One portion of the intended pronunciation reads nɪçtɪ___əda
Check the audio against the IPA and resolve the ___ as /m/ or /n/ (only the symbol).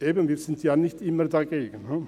m